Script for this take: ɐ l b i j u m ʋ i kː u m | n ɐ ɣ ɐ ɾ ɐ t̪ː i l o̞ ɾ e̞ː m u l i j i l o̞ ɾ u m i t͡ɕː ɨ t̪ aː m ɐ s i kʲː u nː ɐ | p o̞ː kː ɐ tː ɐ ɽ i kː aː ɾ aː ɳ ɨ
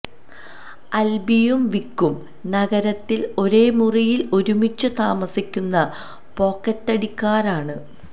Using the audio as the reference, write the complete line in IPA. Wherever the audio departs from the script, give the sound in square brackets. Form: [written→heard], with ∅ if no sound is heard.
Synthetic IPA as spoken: ɐ l b i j u m ʋ i kː u m | n ɐ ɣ ɐ ɾ ɐ t̪ː i l o̞ ɾ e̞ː m u [l→r] i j i l o̞ ɾ u m i t͡ɕː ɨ t̪ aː m ɐ s i kʲː u nː ɐ | p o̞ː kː ɐ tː ɐ ɽ i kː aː ɾ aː ɳ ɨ